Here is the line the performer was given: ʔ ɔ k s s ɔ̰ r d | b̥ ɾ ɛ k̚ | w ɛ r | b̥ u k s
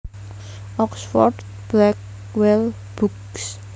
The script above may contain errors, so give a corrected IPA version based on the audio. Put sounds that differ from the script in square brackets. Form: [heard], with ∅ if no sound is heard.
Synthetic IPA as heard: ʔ ɔ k s [f] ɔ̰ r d | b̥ [l] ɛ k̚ | w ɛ [l] | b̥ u k s